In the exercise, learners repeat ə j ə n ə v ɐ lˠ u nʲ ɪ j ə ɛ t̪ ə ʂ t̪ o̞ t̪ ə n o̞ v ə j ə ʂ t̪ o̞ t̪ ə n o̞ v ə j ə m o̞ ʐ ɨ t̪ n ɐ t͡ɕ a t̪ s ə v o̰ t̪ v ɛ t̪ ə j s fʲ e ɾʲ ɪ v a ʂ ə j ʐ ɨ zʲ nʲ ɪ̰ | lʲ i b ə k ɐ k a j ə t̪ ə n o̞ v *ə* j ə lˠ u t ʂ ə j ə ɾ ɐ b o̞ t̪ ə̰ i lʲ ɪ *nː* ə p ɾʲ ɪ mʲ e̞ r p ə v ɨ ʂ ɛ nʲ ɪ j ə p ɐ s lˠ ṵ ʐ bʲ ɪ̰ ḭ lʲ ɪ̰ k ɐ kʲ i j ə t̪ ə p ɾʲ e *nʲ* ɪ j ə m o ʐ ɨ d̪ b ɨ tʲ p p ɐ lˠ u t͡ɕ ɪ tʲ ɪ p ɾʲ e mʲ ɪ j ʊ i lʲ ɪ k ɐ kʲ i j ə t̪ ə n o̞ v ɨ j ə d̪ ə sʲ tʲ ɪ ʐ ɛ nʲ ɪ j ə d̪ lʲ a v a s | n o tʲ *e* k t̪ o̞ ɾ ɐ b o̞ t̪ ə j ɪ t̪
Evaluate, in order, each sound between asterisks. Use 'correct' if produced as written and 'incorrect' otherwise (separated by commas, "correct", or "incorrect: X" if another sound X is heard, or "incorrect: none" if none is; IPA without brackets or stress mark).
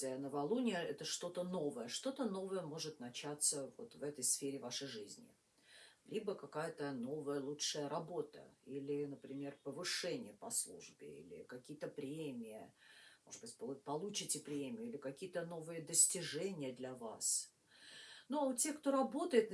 correct, incorrect: n, incorrect: mʲ, correct